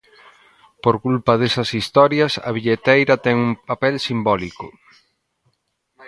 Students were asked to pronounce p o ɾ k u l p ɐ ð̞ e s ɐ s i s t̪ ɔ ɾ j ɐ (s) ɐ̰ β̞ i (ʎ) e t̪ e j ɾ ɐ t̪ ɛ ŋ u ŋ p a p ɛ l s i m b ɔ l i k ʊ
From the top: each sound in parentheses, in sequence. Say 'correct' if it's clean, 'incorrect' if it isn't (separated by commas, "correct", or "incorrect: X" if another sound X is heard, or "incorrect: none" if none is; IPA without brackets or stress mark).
correct, correct